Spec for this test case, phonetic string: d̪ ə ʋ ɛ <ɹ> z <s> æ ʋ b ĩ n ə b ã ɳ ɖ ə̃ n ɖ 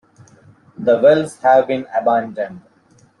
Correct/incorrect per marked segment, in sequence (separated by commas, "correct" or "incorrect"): incorrect, incorrect